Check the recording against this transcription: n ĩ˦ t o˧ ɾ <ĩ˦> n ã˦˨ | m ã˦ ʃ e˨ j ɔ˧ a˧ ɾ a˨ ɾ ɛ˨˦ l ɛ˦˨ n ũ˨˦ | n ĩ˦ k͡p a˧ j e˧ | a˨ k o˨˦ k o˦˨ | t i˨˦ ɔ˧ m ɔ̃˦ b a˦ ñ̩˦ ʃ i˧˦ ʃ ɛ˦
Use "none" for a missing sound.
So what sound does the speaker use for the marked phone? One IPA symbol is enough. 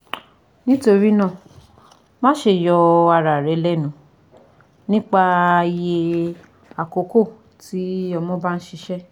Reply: i˦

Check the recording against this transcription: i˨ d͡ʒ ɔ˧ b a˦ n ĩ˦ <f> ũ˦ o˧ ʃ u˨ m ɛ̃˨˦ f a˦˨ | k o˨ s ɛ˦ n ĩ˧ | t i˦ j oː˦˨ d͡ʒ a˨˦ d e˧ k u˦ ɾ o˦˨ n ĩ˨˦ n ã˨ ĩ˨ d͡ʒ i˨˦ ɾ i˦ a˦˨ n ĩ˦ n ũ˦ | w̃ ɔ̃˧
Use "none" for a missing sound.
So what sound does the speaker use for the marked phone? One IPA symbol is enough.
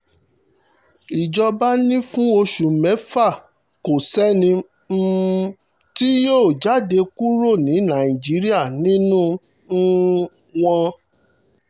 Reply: f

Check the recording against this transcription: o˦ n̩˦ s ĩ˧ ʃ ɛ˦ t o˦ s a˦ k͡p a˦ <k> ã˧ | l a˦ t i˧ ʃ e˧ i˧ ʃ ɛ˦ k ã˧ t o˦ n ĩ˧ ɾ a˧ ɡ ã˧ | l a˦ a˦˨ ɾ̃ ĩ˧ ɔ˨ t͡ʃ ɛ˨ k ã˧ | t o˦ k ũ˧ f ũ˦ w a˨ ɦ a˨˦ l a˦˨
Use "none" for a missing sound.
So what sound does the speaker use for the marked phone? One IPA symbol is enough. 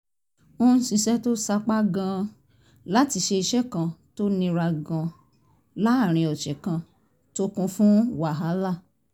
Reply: ɡ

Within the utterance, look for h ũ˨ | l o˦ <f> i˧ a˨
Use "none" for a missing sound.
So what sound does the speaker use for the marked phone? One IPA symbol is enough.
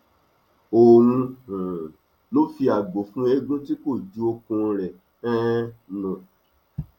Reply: f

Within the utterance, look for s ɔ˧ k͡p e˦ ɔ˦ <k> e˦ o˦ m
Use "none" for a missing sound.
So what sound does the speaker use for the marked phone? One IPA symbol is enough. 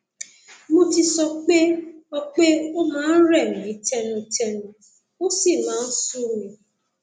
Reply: k͡p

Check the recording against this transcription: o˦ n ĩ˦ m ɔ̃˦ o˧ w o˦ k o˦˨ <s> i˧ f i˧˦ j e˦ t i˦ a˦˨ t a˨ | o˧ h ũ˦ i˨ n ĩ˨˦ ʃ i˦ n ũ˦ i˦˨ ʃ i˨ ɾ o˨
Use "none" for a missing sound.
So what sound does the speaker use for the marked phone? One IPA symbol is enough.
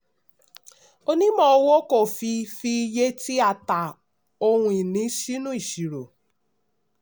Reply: f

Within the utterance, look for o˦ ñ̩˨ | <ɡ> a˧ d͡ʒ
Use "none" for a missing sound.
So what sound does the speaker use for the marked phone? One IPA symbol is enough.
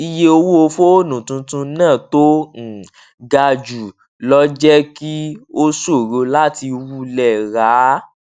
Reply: ɡ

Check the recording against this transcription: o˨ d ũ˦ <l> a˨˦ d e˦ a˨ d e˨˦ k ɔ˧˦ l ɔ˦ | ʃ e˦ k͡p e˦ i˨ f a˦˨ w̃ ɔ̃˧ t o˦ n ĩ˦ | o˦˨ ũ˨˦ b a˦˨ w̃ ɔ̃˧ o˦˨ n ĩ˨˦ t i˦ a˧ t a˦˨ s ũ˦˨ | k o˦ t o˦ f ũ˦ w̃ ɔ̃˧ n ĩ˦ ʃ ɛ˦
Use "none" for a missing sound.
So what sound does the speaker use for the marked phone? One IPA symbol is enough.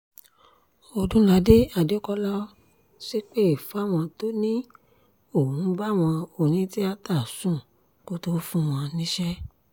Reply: l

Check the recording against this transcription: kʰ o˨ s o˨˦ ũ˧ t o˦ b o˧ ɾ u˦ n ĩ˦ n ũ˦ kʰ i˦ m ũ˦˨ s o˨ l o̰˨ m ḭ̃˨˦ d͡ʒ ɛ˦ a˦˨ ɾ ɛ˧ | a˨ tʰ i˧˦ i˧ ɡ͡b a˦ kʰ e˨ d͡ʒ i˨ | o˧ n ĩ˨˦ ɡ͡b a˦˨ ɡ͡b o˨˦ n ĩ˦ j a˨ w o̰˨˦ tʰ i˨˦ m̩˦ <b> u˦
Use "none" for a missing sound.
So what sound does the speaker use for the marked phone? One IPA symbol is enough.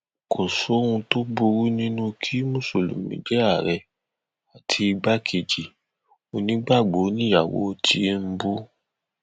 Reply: b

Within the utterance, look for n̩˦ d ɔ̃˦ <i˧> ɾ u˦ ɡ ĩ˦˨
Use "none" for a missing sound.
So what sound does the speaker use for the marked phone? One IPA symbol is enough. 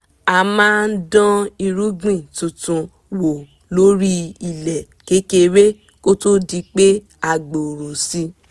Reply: i˧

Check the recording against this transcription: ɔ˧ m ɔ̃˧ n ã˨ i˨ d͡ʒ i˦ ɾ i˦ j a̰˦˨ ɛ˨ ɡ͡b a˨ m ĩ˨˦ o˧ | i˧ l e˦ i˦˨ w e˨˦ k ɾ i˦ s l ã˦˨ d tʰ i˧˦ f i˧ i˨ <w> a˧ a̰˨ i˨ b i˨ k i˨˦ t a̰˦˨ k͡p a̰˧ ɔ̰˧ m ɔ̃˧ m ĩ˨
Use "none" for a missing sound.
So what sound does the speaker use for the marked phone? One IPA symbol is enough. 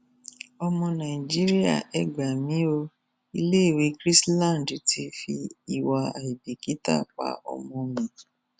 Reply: w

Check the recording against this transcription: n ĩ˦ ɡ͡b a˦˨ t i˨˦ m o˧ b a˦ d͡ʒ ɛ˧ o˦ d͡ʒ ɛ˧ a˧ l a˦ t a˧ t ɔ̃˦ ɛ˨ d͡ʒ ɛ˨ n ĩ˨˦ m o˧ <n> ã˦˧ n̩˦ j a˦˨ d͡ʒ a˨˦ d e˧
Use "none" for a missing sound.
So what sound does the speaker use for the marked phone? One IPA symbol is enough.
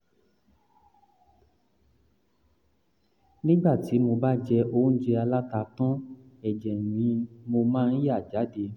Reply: m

